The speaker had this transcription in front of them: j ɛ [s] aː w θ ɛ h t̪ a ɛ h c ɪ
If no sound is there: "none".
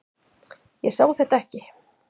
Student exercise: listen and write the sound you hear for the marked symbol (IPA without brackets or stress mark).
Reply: s